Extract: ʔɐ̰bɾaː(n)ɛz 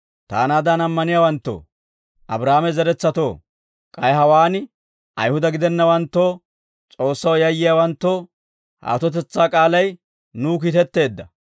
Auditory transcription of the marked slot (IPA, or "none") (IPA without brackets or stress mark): m